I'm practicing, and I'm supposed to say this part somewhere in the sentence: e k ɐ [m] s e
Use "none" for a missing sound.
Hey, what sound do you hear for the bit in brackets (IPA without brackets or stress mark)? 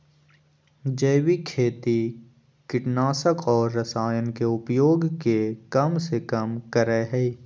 m